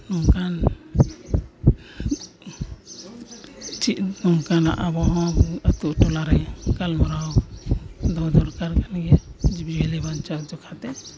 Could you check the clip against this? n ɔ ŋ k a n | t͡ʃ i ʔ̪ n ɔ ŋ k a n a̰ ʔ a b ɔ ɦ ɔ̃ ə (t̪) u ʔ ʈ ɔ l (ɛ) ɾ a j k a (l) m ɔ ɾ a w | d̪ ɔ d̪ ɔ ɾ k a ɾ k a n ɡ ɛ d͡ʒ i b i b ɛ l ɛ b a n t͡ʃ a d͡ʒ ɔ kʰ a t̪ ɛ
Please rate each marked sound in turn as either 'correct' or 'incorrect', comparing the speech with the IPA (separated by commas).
correct, incorrect, correct